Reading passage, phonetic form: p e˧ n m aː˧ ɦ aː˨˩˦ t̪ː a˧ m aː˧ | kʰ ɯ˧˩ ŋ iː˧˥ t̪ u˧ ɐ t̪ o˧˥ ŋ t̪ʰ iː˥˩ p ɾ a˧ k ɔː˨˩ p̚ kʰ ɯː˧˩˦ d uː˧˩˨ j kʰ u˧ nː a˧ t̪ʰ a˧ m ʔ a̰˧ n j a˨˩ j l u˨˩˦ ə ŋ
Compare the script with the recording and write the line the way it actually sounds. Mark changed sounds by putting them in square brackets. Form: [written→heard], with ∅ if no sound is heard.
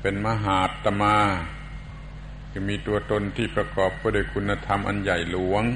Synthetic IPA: p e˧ n m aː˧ ɦ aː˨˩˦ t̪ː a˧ m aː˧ | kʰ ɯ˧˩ [ŋ→m] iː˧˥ t̪ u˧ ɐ t̪ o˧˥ [ŋ→n] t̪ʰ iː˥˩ p ɾ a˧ k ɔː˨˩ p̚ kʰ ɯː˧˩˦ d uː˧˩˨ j kʰ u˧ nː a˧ t̪ʰ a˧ m ʔ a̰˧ n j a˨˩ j l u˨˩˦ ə ŋ